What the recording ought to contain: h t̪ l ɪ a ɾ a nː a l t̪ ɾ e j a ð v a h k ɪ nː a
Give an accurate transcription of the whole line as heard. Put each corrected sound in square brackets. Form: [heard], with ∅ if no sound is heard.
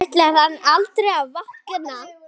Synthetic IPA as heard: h t̪ l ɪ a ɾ a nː a l t̪ ɾ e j a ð v a h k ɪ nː a